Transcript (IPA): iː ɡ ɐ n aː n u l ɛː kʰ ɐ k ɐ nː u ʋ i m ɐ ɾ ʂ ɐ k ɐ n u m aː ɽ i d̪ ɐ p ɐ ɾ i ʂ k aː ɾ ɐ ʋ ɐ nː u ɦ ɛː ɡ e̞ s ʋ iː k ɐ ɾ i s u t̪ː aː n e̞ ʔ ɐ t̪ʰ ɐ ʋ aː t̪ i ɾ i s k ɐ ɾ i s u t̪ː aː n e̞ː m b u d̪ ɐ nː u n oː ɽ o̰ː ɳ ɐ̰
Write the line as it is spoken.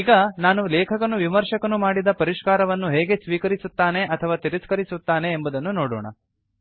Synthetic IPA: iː ɡ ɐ n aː n u l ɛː kʰ ɐ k ɐ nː u ʋ i m ɐ ɾ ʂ ɐ k ɐ n u m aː ɽ i d̪ ɐ p ɐ ɾ i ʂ k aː ɾ ɐ ʋ ɐ nː u ɦ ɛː ɡ e̞ s ʋ iː k ɐ ɾ i s u t̪ː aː n e̞ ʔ ɐ t̪ʰ ɐ ʋ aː t̪ i ɾ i s k ɐ ɾ i s u t̪ː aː n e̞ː m b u d̪ ɐ nː u n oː ɽ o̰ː ɳ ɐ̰